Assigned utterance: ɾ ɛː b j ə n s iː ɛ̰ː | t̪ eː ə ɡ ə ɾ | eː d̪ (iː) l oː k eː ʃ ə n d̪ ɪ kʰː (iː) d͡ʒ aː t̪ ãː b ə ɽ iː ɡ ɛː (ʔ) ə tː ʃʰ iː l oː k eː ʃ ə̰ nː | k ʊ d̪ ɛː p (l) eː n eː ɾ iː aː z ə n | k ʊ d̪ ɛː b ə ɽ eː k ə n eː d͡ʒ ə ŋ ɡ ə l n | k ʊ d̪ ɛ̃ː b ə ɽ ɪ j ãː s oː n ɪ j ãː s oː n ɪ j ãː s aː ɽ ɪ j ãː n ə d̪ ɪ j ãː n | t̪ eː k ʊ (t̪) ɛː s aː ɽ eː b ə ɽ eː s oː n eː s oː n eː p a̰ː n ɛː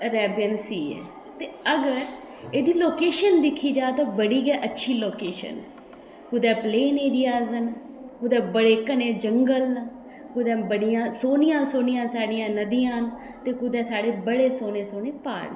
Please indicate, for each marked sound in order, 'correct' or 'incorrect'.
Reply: correct, correct, correct, correct, incorrect: d̪

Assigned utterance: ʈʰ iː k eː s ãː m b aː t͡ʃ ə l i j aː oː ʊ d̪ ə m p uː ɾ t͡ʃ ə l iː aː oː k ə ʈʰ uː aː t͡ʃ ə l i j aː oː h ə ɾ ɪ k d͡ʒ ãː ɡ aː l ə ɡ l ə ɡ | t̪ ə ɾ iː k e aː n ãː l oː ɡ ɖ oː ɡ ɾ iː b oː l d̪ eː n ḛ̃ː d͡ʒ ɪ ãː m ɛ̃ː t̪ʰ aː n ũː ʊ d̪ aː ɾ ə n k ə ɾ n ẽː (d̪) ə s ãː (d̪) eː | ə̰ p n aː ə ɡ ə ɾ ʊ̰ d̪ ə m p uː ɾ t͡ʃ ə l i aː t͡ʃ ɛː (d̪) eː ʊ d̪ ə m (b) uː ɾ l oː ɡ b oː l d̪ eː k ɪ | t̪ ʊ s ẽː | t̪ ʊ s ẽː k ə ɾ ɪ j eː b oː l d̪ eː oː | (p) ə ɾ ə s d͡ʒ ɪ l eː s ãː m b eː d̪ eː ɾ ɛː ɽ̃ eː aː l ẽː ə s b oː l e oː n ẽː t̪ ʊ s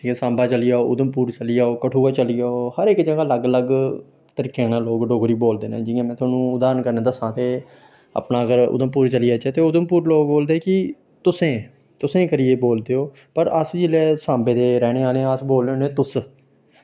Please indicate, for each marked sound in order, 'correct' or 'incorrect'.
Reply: correct, incorrect: t̪, incorrect: t̪, incorrect: p, correct

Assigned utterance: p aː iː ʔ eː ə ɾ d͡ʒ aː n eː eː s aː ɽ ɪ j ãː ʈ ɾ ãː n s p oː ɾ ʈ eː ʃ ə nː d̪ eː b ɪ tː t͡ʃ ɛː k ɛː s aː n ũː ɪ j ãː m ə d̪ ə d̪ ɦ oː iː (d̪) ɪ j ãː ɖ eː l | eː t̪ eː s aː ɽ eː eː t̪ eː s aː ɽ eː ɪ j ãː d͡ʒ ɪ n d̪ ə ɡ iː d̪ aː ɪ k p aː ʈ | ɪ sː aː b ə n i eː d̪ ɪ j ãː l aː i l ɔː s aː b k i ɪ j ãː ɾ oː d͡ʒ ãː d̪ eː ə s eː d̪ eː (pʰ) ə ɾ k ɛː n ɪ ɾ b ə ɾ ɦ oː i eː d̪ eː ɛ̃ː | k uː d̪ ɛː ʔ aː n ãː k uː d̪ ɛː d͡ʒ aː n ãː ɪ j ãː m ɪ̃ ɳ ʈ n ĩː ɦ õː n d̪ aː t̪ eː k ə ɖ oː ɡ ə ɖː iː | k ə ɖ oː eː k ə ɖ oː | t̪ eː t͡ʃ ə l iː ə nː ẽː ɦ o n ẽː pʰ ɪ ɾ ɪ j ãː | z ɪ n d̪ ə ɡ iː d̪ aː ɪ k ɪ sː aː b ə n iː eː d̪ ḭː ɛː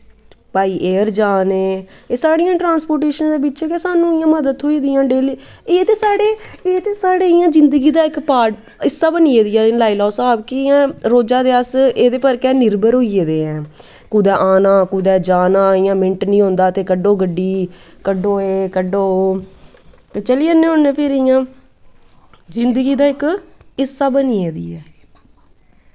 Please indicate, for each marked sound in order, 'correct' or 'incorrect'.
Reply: correct, incorrect: p

